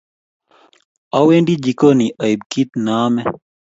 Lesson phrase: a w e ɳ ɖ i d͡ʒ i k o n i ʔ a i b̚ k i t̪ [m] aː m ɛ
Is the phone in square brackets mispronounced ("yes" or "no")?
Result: yes